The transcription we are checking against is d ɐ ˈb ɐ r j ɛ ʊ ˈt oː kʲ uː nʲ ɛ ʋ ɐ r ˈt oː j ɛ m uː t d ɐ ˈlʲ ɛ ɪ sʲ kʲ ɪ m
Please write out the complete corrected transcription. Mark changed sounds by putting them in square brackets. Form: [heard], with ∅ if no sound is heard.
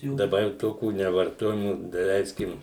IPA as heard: d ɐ ˈb ɐ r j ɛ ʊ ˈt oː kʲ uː nʲ ɛ ʋ ɐ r ˈt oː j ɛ m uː [∅] d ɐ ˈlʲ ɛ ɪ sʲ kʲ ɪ m